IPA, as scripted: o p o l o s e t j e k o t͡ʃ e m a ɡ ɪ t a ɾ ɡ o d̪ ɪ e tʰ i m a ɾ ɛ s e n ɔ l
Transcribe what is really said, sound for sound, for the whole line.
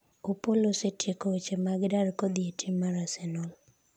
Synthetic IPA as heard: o p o l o s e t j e k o t͡ʃ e m a ɡ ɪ d a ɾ k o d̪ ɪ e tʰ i m a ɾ a s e n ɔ l